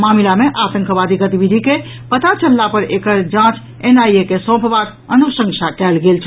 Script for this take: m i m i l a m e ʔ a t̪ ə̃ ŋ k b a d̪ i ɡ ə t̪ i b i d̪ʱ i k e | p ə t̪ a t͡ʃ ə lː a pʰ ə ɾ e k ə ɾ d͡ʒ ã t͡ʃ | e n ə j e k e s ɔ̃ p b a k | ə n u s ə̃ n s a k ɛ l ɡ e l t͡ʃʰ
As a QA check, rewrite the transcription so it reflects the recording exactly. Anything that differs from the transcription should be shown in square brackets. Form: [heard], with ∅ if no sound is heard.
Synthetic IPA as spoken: m [a] m i l a m e ʔ a t̪ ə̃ ŋ k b a d̪ i ɡ ə t̪ i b i d̪ʱ i k e | p ə t̪ a t͡ʃ ə lː a [p] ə ɾ e k ə ɾ d͡ʒ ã t͡ʃ | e n [a] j e k e s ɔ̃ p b a k | ə n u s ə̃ [ŋ] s a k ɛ l ɡ e l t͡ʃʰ